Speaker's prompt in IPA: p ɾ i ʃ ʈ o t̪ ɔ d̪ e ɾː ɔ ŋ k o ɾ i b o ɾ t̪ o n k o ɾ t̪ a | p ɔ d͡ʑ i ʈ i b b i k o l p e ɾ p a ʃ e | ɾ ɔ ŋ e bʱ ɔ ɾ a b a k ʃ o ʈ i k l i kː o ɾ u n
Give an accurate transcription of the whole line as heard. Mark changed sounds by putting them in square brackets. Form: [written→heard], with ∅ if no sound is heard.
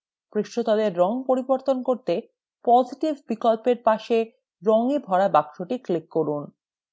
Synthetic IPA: p ɾ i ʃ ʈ o t̪ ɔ d̪ e ɾː ɔ ŋ [k→p] o ɾ i b o ɾ t̪ o n k o ɾ t̪ [a→e] | p ɔ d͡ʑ i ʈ i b b i k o l p e ɾ p a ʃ e | ɾ ɔ ŋ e bʱ ɔ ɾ a b a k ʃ o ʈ i k l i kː o ɾ u n

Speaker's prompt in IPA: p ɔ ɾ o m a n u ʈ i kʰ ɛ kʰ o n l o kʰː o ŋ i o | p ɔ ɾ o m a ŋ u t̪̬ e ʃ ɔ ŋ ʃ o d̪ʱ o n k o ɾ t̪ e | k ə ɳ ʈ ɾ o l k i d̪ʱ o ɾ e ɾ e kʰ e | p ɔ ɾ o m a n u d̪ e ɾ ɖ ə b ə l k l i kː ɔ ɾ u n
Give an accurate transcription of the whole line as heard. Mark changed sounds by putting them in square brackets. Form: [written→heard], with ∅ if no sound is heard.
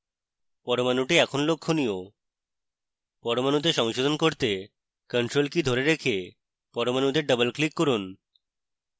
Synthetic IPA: p ɔ ɾ o m a n u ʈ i [kʰ→∅] ɛ kʰ o n l o kʰː o [ŋ→n] i o | p ɔ ɾ o m a [ŋ→n] u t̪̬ e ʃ ɔ ŋ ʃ o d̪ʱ o n k o ɾ t̪ e | k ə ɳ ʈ ɾ o l k i d̪ʱ o ɾ e ɾ e kʰ e | p ɔ ɾ o m a n u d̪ e ɾ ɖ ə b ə l k l i kː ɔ ɾ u n

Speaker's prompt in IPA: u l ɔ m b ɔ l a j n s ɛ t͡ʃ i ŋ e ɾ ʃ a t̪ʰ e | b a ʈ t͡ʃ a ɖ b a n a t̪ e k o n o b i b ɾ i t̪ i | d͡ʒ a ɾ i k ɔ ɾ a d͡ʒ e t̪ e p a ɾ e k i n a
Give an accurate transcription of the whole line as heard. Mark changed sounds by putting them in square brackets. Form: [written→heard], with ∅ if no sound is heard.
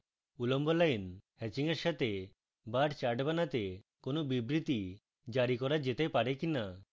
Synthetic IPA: u l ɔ m b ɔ l a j n [s→h] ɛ t͡ʃ i ŋ e ɾ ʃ a [t̪ʰ→t̪] e | b a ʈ t͡ʃ a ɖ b a n a t̪ e k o n o b i b ɾ i t̪ i | d͡ʒ a ɾ i k ɔ ɾ a d͡ʒ e t̪ e p a ɾ e k i n a

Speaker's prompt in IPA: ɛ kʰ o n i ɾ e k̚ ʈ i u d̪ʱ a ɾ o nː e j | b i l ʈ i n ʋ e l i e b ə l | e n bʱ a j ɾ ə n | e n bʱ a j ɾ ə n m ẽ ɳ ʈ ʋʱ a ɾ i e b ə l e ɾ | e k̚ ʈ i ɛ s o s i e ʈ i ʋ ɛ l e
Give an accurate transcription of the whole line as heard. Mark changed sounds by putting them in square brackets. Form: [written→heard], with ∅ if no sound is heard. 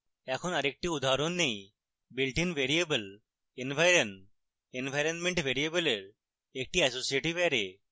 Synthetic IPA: ɛ kʰ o n [i→a] ɾ e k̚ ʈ i u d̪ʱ a ɾ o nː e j | b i l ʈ i n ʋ e [l→ɾ] i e b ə l | e n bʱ a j ɾ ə n | e n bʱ a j ɾ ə n m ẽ ɳ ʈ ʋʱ [a→e] ɾ i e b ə l e ɾ | e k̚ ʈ i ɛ s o s i e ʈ i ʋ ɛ [l→ɾ] e

